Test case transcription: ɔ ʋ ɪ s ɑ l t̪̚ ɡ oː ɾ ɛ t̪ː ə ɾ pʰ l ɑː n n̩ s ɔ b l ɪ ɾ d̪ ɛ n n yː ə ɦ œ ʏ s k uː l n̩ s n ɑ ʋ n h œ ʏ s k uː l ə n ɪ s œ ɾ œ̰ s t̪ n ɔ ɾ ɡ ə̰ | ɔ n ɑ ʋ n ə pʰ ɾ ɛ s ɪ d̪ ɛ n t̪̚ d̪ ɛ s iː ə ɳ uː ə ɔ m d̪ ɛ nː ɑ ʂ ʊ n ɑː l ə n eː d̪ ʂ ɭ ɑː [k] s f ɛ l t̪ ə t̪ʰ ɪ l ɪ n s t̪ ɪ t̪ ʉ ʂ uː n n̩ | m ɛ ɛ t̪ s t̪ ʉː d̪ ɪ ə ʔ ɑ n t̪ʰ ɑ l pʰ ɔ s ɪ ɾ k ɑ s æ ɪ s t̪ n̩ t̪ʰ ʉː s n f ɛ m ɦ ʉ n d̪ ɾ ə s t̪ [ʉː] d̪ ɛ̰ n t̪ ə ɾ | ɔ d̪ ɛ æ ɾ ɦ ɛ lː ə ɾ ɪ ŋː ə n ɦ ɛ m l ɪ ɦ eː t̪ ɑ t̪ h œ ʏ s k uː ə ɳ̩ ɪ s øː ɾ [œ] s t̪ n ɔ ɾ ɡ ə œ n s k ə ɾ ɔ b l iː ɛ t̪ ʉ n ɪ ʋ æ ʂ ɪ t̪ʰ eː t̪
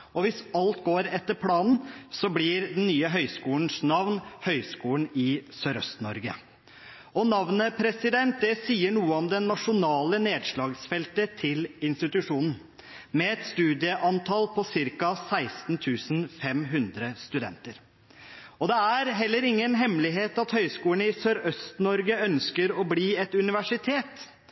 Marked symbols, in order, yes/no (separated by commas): no, no, yes